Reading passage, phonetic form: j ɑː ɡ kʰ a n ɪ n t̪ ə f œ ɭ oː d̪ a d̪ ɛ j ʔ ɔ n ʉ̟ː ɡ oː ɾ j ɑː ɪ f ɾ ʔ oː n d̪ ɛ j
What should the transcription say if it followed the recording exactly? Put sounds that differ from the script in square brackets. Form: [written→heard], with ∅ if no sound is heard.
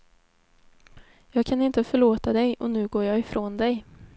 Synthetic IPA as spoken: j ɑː ɡ kʰ a n ɪ n t̪ ə f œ ɭ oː [d̪→t̪] a d̪ ɛ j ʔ ɔ n ʉ̟ː ɡ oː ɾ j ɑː ɪ f ɾ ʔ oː n d̪ ɛ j